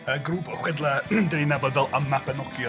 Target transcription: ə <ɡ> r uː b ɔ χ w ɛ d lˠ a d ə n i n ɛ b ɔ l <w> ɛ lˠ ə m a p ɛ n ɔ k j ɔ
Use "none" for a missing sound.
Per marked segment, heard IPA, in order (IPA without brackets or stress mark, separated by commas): ɡ, v